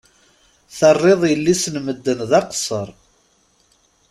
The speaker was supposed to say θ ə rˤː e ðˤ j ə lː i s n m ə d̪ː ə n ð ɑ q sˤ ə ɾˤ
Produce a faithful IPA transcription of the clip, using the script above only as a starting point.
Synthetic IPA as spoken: θ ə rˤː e ðˤ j ə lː i s n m ə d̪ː ə n ð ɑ q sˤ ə ɾˤ